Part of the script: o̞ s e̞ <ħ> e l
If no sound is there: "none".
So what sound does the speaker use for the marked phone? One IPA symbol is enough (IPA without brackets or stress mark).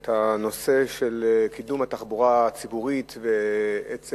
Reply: ʃ